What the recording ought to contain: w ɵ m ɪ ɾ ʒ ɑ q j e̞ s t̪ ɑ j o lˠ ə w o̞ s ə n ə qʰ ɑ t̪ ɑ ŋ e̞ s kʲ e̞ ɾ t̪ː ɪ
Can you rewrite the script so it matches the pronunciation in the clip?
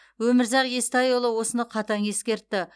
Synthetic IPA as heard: w ɵ m ɪ ɾ z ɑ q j e̞ s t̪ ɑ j o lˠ ə w o̞ s ə n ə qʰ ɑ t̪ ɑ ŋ e̞ s kʲ e̞ ɾ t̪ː ɪ

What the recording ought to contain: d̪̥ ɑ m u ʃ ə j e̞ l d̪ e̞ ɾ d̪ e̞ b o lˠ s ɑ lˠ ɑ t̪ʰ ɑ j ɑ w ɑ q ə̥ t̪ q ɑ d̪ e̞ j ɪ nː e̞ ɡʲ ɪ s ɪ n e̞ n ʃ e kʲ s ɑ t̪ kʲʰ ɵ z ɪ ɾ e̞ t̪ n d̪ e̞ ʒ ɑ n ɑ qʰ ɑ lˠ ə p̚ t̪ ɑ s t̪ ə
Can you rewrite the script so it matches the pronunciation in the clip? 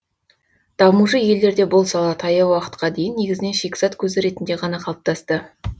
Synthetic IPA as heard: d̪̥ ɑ m u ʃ ə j e̞ l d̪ e̞ ɾ d̪ e̞ b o lˠ s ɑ lˠ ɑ t̪ʰ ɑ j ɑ w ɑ q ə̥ t̪ q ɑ d̪ e̞ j ɪ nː e̞ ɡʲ ɪ z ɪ n e̞ n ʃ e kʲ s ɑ t̪ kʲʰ ɵ z ɪ ɾ e̞ t̪ n d̪ e̞ ʁ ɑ n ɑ qʰ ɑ lˠ ə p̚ t̪ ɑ s t̪ ə

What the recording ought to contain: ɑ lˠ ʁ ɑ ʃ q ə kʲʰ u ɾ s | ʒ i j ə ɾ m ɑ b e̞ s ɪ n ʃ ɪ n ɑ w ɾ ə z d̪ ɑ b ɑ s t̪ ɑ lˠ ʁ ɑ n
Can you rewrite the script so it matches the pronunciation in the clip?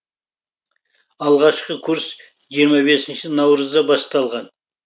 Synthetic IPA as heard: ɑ lˠ ʁ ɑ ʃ q ə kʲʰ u ɾ s | ʒ i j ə ɾ m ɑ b e̞ s ɪ n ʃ ɪ n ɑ w ɾ ə z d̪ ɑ b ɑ s t̪ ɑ lˠ ʁ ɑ n

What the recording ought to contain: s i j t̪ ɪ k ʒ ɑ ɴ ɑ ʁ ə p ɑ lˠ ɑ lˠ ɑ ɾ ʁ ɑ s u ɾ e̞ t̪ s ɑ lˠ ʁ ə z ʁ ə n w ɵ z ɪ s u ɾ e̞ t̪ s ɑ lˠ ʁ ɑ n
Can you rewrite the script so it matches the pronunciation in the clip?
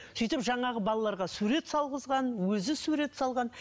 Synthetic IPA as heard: s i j t̪ ɪ p ʒ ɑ ɴ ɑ ʁ ə b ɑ lˠ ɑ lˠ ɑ ɾ ʁ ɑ s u ɾ e̞ t̪ s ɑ lˠ ʁ ə z ʁ ɑ n w ɵ z ɪ s u ɾ e̞ t̪ s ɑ lˠ ʁ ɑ n

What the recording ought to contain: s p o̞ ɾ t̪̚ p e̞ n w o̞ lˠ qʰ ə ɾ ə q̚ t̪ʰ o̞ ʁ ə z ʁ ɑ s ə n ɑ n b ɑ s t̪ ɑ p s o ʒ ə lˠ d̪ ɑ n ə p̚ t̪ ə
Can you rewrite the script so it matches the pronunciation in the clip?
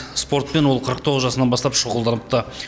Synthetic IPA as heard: s p o̞ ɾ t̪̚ p e̞ n w o̞ lˠ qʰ ə ɾ ə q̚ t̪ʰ o̞ ʁ ə z ʒ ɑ s ə n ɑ n b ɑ s t̪ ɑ p ʃ o ʁ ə lˠ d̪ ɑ n ə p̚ t̪ ə

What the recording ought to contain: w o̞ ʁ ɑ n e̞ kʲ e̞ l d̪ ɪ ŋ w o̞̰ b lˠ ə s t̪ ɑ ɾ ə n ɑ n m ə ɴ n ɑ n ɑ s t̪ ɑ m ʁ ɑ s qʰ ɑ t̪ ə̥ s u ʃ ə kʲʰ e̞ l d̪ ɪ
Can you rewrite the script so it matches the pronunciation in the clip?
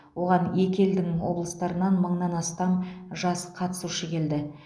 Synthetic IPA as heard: w o̞ ʁ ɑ n e̞ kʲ e̞ l d̪ ɪ ŋ w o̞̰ b lˠ ə s t̪ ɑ ɾ ə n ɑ n m ə ɴ n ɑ n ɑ s t̪ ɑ m ʒ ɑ s qʰ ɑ t̪ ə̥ s u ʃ ə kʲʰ e̞ l d̪ ɪ

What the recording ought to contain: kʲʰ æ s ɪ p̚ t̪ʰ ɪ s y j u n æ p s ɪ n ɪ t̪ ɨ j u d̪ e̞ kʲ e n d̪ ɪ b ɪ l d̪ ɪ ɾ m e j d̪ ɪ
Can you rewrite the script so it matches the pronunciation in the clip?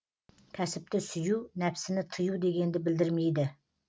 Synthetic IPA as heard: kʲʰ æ s ɪ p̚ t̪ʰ ɪ s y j u n æ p s ɪ n ɪ t̪ʰ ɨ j u d̪ e̞ ɡʲ e n d̪ ɪ b ɪ l d̪ ɪ ɾ m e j d̪ ɪ

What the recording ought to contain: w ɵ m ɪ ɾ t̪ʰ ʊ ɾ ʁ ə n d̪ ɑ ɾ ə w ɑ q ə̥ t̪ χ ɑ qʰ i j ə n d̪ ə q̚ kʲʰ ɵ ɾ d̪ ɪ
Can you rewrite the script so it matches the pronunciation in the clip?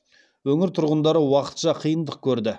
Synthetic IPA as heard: w ɵ ŋ ɪ ɾ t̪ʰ ʊ ɾ ʁ ə n d̪ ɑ ɾ ə w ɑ q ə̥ t̪ ʃ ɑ qʰ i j ə n d̪ ə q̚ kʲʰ ɵ ɾ d̪ ɪ

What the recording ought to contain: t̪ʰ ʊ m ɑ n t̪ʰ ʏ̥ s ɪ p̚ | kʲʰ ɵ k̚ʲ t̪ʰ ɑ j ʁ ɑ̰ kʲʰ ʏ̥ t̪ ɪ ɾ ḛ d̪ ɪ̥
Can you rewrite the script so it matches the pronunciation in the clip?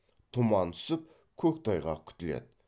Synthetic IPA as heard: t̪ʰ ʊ m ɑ n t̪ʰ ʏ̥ s ɪ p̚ | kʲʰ ɵ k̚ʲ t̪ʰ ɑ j ʁ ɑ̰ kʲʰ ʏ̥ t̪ ɪ l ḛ d̪ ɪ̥

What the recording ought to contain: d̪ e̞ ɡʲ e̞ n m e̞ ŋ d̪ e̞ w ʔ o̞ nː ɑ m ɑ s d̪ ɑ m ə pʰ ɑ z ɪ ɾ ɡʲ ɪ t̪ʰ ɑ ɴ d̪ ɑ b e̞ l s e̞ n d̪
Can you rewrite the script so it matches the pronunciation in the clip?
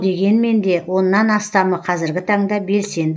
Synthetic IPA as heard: d̪ e̞ ɡʲ e̞ n m e̞ n d̪ e̞ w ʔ o̞ nː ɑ n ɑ s t̪ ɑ m ə qʰ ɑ z ɪ ɾ ɡʲ ɪ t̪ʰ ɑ ɴ d̪ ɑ b e̞ l s e̞ n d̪

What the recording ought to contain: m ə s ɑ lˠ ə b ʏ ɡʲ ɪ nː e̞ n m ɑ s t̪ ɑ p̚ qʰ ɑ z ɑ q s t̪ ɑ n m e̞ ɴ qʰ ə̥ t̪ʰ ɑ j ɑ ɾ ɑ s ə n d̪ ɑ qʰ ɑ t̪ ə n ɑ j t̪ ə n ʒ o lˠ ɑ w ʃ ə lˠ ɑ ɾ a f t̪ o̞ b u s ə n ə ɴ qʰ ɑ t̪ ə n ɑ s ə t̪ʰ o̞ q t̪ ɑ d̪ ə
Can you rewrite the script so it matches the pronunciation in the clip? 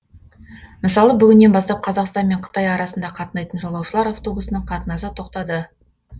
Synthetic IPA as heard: m ə s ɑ lˠ ə b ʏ ɡʲ ɪ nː e̞ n b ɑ s t̪ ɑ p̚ qʰ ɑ z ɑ q s t̪ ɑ n m e̞ ɴ qʰ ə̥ t̪ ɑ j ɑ ɾ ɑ s ə n d̪ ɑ qʰ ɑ t̪ ə n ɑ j t̪ ə n ʒ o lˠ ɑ w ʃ ə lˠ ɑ ɾ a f t̪ o̞ b u s ə n ə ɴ qʰ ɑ t̪ ə n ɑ s ə t̪ʰ o̞ q t̪ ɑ d̪ ə

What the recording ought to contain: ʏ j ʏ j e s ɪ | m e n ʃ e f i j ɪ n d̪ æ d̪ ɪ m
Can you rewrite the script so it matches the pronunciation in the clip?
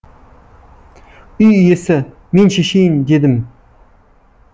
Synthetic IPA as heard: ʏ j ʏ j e s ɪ | m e n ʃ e ʃ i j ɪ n d̪ e d̪ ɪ m

